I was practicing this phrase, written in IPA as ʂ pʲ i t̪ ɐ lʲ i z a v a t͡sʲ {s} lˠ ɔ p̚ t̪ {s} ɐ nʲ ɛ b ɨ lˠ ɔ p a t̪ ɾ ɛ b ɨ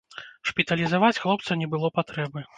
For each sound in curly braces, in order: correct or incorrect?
incorrect: x, correct

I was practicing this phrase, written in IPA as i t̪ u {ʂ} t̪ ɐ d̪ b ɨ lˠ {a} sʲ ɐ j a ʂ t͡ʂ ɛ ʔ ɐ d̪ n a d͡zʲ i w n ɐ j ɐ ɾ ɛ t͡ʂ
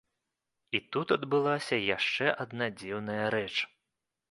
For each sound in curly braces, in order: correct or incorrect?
incorrect: none, correct

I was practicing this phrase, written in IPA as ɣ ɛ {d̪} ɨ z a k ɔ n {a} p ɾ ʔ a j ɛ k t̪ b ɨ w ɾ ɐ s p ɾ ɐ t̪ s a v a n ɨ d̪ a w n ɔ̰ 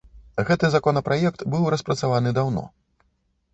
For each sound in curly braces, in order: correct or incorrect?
incorrect: t̪, incorrect: ɐ

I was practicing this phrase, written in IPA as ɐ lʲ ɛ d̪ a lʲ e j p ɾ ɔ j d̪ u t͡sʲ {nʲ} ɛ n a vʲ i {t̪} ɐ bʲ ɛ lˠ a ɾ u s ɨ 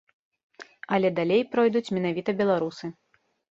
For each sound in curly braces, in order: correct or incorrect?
incorrect: mʲ, correct

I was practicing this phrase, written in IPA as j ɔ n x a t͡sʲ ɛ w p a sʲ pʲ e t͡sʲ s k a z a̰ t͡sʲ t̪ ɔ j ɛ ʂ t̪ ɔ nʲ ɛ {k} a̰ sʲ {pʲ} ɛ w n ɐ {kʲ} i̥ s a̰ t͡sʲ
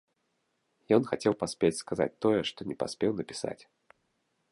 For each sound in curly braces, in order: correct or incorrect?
incorrect: p, correct, incorrect: pʲ

